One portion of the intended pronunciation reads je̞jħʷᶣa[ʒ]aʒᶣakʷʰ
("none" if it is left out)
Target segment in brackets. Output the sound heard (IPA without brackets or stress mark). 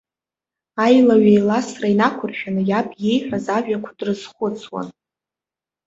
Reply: z